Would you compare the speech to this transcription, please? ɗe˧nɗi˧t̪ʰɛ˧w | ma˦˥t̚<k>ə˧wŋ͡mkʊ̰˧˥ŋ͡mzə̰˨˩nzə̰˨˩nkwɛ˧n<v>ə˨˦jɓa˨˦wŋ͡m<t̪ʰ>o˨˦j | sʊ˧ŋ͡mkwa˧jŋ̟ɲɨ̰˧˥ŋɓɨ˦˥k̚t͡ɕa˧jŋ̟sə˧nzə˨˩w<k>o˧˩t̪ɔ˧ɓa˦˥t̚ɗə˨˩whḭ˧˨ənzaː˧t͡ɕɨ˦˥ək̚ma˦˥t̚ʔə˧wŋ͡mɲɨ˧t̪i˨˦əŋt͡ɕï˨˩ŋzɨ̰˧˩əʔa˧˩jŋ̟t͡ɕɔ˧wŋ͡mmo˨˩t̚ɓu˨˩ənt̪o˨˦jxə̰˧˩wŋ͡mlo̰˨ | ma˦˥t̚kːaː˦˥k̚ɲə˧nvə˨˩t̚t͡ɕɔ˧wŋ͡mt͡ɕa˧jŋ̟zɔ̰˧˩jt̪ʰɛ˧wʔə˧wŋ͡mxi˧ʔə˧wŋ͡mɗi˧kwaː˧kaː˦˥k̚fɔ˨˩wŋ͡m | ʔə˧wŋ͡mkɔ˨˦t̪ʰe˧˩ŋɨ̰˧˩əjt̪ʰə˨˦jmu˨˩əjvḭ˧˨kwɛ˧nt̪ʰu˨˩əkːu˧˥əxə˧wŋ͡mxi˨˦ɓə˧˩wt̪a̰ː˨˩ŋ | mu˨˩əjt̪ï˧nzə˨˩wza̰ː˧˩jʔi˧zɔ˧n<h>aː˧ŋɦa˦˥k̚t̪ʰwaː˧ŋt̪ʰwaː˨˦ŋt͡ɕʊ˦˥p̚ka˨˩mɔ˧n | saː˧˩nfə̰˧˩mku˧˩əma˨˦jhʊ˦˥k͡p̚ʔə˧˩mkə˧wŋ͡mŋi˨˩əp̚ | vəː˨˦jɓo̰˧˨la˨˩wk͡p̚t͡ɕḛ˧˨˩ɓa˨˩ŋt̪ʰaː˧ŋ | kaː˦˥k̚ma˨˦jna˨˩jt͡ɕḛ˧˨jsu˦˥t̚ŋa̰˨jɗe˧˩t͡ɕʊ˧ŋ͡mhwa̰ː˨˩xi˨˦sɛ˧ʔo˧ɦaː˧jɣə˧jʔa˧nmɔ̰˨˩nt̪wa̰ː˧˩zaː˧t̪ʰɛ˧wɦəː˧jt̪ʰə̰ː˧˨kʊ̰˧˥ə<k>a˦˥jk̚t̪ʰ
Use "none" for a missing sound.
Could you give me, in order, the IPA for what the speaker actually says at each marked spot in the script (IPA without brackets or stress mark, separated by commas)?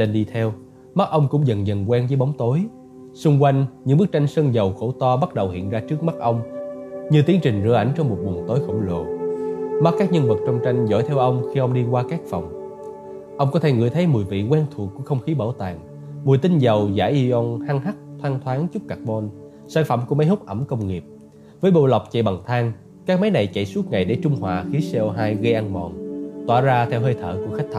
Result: ʔ, z, t̪, x, h, x